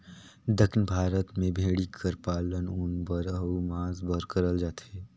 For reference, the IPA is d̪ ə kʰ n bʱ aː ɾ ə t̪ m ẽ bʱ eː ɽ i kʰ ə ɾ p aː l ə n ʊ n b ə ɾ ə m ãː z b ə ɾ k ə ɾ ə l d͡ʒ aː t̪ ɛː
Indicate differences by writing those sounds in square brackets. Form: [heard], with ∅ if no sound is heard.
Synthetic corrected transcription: d̪ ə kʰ n bʱ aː ɾ ə t̪ m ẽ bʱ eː ɽ i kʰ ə ɾ p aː l ə n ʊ n b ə ɾ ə m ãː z b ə ɾ k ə ɾ ə l d͡ʒ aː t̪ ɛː